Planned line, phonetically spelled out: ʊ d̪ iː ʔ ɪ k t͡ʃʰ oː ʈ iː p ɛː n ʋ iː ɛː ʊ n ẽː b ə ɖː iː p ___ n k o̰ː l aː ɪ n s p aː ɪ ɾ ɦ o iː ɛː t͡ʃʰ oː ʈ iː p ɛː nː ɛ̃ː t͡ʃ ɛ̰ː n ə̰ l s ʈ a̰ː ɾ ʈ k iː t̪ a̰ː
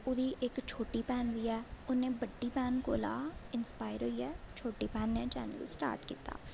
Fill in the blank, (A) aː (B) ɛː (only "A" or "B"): B